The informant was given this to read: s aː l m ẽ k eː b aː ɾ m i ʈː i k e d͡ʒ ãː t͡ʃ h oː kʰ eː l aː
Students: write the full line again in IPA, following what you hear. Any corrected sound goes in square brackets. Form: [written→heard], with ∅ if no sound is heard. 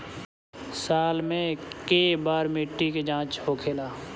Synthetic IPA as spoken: s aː l m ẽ k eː b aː ɾ m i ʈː i k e d͡ʒ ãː t͡ʃ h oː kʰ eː l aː